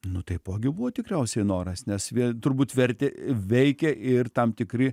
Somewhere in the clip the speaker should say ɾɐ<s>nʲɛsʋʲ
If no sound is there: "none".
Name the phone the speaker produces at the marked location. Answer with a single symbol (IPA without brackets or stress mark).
s